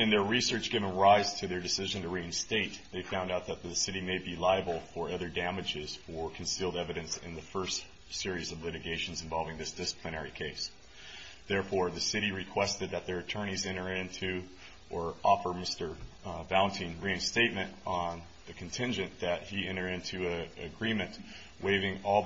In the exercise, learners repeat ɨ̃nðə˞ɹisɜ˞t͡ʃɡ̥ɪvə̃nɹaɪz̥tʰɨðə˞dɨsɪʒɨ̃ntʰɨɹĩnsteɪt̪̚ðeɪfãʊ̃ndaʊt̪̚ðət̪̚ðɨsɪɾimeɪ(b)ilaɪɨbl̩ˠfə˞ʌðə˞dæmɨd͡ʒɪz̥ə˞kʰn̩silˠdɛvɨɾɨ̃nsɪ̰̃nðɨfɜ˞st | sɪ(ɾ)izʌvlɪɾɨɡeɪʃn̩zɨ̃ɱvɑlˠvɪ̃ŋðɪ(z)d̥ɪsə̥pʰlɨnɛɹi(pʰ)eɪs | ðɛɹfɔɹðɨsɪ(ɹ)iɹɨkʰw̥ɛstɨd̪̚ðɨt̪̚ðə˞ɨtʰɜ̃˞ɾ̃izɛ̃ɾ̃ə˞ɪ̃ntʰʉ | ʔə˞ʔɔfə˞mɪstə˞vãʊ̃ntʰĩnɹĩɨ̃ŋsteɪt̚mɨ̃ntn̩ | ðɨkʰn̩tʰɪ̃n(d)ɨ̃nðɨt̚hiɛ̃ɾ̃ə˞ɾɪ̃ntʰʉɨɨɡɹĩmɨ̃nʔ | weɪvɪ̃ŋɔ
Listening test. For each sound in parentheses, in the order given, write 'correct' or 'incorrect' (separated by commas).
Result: correct, incorrect, incorrect, incorrect, incorrect, incorrect